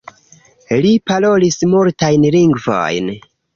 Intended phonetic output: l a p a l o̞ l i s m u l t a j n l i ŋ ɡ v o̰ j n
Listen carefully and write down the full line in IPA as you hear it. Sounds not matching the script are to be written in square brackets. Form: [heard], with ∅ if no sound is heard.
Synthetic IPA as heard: l [i] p a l o̞ l i s m u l t a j n l i ŋ ɡ v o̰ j n